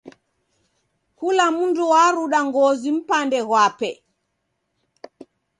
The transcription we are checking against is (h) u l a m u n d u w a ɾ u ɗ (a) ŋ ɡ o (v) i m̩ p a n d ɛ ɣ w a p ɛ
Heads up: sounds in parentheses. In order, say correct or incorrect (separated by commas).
correct, correct, incorrect